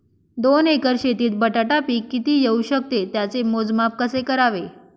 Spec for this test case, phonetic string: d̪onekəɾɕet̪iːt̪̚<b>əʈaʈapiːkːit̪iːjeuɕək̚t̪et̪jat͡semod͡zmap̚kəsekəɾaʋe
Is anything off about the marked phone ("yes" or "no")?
no